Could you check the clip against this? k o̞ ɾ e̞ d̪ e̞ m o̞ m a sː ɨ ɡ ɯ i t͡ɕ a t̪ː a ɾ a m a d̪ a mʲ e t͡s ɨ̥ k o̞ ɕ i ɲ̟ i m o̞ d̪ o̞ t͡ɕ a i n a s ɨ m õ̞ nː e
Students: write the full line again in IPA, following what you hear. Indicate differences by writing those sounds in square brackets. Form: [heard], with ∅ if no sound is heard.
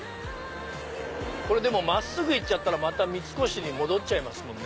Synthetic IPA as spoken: k o̞ ɾ e̞ d̪ e̞ m o̞ m a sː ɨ ɡ ɯ i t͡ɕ a t̪ː a ɾ a m a [t̪] a mʲ [i] t͡s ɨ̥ k o̞ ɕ i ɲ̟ i m o̞ d̪ o̞ t͡ɕ a i [m] a s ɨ m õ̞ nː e